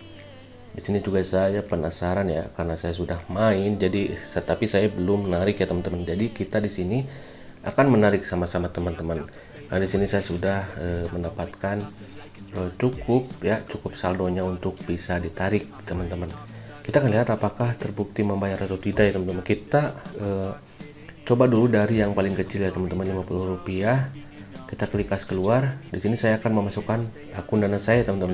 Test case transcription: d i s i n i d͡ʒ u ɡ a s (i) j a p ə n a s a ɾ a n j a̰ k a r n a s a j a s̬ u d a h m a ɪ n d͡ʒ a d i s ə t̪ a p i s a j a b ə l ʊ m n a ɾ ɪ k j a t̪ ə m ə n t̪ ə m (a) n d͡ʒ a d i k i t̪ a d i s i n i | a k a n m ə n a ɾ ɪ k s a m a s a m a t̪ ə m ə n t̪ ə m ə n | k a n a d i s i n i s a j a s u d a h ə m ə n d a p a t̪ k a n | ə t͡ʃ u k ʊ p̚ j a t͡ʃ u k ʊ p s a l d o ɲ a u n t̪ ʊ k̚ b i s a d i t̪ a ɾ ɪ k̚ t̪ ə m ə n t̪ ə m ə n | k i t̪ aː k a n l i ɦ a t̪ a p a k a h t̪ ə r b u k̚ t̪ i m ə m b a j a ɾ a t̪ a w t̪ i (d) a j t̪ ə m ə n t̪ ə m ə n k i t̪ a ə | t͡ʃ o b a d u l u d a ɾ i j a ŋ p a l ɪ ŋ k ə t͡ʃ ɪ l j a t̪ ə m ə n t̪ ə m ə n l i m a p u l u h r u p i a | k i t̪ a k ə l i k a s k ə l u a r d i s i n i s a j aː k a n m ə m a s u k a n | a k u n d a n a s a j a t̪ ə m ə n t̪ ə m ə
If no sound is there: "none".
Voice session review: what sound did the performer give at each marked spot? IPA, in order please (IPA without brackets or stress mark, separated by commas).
a, ə, d